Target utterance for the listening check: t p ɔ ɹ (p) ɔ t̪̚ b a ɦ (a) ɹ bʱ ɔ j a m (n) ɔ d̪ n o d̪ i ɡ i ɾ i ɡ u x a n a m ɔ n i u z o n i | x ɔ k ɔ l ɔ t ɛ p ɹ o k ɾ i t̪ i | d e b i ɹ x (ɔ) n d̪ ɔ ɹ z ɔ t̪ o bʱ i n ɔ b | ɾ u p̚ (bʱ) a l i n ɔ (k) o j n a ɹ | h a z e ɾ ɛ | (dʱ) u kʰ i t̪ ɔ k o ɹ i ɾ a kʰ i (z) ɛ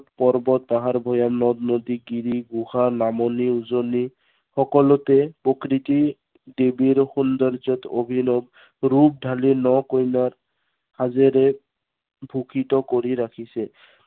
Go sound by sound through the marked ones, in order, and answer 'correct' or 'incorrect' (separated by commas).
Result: incorrect, correct, correct, incorrect, incorrect, correct, incorrect, incorrect